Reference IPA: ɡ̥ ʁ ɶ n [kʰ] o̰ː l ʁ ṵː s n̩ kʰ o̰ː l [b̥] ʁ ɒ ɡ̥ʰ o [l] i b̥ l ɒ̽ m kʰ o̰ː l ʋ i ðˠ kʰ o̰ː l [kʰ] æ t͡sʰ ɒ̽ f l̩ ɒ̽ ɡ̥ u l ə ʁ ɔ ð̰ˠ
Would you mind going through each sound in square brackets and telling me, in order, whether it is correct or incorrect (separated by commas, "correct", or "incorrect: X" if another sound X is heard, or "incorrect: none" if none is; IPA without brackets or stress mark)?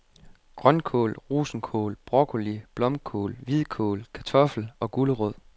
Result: correct, correct, correct, correct